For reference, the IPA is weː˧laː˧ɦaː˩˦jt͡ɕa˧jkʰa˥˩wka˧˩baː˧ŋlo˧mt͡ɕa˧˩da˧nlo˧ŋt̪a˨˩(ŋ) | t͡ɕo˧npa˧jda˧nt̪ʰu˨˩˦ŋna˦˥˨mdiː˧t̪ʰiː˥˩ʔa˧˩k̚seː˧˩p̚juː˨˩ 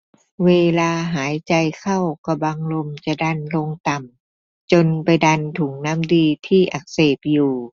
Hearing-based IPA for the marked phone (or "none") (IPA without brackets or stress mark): m